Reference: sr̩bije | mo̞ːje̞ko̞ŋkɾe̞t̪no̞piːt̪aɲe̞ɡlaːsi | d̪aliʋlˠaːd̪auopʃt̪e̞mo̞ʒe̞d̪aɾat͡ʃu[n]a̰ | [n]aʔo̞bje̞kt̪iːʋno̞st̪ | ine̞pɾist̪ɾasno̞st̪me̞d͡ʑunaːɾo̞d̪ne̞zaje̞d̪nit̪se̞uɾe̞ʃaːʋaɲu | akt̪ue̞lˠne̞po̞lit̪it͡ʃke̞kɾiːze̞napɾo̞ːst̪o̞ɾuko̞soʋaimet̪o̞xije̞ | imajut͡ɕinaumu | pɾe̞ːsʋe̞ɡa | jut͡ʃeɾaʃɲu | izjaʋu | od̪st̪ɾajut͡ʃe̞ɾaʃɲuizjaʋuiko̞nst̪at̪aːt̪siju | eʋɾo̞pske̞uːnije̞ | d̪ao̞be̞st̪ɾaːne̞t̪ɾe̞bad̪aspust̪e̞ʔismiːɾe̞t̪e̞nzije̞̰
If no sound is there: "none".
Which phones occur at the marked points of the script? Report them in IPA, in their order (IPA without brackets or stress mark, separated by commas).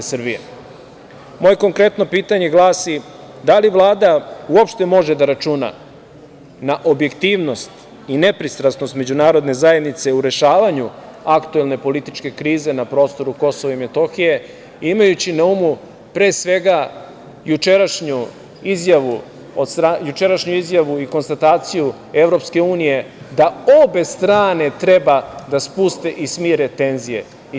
n, n